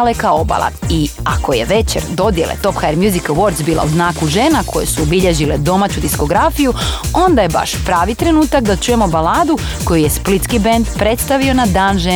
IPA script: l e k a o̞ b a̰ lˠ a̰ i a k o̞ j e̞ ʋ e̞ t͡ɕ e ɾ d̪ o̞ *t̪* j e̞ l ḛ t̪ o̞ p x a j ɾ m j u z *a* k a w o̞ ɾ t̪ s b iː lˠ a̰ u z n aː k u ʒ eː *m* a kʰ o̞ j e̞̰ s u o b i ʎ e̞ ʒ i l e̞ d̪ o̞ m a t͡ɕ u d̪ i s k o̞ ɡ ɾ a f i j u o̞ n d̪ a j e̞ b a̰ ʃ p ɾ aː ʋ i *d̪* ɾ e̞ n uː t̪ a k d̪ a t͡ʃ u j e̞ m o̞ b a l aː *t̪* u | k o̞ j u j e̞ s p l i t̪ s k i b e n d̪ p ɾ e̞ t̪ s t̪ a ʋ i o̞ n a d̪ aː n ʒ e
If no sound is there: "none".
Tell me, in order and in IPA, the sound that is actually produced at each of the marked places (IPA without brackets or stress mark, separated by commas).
d̪, i, n, t̪, d̪